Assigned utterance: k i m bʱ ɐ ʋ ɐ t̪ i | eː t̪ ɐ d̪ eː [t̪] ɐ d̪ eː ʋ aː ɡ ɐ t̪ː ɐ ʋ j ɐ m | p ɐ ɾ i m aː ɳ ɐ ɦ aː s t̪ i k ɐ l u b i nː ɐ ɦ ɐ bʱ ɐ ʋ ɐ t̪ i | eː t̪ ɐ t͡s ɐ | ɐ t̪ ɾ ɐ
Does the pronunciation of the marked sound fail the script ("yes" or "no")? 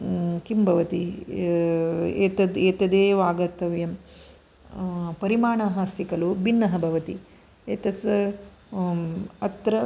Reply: no